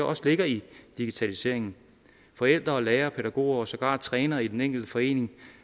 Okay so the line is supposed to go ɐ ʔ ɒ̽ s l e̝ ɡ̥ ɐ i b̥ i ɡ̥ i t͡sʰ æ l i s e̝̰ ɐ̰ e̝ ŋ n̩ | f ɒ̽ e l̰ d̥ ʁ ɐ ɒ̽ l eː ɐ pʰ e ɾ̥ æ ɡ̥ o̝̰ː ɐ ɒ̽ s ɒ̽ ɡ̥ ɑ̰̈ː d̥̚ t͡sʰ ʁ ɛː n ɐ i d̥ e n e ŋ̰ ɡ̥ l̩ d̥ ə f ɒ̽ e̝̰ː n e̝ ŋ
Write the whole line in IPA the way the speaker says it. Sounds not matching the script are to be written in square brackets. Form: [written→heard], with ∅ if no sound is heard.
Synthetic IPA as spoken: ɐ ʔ ɒ̽ s l e̝ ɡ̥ ɐ i [b̥→d̥] i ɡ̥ i t͡sʰ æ l i s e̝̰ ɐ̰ e̝ ŋ n̩ | f ɒ̽ e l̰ d̥ ʁ ɐ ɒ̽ l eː ɐ pʰ e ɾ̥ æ ɡ̥ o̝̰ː ɐ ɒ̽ s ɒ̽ ɡ̥ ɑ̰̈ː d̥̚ t͡sʰ ʁ ɛː n ɐ i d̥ e n e ŋ̰ ɡ̥ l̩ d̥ ə f ɒ̽ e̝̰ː n e̝ ŋ